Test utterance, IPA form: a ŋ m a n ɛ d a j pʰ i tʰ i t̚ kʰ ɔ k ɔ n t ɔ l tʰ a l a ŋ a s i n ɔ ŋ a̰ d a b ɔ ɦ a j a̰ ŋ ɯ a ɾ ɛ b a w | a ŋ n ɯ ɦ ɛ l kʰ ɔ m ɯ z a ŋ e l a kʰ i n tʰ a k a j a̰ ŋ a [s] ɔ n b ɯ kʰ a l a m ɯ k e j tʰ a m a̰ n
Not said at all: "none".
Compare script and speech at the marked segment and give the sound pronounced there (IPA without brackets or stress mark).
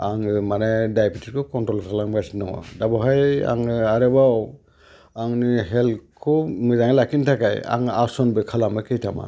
s